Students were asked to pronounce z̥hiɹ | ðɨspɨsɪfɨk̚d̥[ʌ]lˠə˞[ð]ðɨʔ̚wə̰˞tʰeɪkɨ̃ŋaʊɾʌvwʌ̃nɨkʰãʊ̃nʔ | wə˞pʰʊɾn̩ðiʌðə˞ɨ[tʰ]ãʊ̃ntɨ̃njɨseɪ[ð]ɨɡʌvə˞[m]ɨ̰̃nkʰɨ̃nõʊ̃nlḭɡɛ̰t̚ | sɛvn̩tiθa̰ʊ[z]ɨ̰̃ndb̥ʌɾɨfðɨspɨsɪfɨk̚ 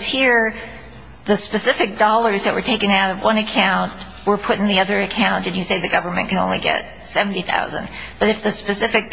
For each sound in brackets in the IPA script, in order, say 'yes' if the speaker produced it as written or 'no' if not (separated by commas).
no, no, no, yes, yes, yes